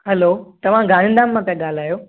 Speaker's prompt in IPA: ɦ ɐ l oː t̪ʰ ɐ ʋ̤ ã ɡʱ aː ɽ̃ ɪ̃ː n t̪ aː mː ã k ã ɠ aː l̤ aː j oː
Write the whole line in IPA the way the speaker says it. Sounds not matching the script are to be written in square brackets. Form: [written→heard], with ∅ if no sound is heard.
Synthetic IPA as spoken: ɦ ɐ l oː [t̪ʰ→t̪] ɐ ʋ̤ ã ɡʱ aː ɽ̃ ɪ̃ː n [t̪→d̪] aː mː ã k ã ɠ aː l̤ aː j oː